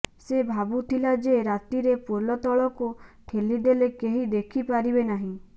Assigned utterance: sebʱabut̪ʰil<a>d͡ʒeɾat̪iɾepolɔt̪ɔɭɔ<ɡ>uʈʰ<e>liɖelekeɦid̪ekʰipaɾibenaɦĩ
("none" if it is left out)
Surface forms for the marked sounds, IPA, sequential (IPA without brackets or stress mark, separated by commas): a, k, e